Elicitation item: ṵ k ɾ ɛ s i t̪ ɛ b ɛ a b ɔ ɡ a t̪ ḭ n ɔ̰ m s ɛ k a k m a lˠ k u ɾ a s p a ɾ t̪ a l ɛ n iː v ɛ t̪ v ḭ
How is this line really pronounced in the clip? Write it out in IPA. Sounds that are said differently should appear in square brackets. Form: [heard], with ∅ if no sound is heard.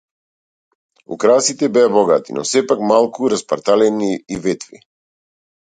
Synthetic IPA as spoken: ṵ k ɾ [a] s i t̪ ɛ b ɛ a b ɔ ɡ a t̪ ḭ n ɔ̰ [∅] s ɛ [p] a k m a lˠ k u ɾ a s p a ɾ t̪ a l ɛ n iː v ɛ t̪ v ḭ